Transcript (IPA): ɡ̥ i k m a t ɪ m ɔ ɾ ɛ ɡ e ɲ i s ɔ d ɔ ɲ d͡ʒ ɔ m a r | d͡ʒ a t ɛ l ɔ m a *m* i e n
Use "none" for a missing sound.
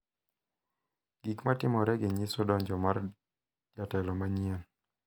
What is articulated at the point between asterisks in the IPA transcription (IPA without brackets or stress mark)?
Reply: ɲ